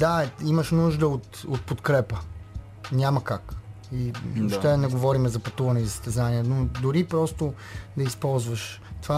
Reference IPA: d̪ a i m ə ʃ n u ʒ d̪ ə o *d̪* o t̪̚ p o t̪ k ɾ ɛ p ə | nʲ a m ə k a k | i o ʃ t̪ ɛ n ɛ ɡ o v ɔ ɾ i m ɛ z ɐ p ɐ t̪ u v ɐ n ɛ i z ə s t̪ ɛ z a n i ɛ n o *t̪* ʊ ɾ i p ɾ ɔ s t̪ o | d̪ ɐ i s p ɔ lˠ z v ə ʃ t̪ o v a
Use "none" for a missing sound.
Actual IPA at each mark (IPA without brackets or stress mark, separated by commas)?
t̪, d̪